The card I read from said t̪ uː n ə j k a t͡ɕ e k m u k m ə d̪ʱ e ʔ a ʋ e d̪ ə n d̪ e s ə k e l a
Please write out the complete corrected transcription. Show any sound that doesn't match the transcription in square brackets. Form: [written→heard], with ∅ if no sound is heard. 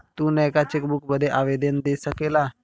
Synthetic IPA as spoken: t̪ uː n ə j k a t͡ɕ e k [m→b] u k [m→b] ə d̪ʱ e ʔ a ʋ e d̪ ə n d̪ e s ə k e l a